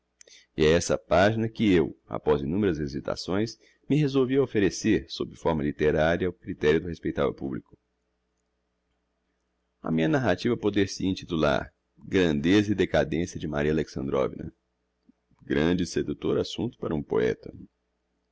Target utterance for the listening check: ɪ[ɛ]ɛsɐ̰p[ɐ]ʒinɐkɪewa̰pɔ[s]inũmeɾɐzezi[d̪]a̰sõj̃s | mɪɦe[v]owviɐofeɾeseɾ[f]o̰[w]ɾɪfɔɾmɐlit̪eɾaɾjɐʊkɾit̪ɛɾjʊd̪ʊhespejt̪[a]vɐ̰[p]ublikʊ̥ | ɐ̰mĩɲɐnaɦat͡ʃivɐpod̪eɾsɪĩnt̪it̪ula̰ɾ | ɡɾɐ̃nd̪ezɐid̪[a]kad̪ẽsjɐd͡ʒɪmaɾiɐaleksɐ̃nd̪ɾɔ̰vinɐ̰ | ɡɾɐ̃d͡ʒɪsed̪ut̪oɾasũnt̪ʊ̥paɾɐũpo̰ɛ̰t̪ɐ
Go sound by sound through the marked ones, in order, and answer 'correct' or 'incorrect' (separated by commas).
correct, incorrect, incorrect, incorrect, incorrect, incorrect, incorrect, correct, correct, incorrect